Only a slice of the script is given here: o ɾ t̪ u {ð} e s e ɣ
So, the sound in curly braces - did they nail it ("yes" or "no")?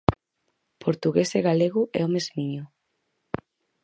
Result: no